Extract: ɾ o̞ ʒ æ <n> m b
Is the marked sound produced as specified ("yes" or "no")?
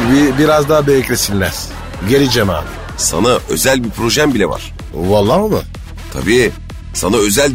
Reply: no